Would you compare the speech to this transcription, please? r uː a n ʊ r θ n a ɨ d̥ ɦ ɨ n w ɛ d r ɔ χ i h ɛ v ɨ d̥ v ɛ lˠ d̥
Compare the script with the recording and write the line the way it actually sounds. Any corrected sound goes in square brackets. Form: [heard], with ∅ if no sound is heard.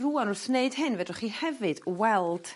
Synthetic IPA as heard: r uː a n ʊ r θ n [e] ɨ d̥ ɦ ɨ n [v] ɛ d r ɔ χ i h ɛ v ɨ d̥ [w] ɛ lˠ d̥